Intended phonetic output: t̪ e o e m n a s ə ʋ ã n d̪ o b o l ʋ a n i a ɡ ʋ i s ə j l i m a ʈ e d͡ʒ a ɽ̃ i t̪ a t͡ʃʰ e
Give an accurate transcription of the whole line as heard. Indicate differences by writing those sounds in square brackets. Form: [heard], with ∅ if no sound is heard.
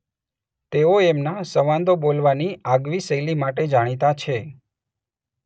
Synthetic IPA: t̪ e o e m n a s ə ʋ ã n d̪ o b o l ʋ a n i a ɡ ʋ i s ə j l i m a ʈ e d͡ʒ a ɽ̃ i t̪ a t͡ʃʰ e